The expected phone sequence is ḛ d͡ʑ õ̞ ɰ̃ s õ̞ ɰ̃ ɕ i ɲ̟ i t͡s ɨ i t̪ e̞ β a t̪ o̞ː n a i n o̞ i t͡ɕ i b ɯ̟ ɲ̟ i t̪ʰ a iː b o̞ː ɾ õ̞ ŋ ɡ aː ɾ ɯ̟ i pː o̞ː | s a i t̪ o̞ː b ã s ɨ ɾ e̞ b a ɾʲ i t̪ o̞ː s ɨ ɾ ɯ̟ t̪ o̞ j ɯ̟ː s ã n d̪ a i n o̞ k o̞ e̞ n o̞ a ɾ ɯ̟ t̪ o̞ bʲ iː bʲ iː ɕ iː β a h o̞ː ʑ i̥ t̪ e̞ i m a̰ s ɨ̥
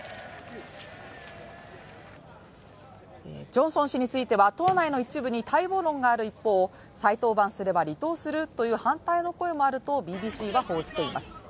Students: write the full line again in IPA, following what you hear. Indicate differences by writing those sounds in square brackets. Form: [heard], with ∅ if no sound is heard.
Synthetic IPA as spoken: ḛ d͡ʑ õ̞ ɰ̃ s õ̞ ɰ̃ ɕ i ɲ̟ i t͡s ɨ i t̪ e̞ β a t̪ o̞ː n a i n o̞ i t͡ɕ i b ɯ̟ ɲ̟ i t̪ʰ a [i] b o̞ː ɾ õ̞ ŋ ɡ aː ɾ ɯ̟ i pː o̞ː | s a i t̪ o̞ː b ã s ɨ ɾ e̞ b a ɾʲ i t̪ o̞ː s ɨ ɾ ɯ̟ t̪ o̞ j ɯ̟ː [h] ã n [t̪] a i n o̞ k o̞ e̞ [m] o̞ a ɾ ɯ̟ t̪ o̞ bʲ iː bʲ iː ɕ iː β a h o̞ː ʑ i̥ t̪ e̞ i m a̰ s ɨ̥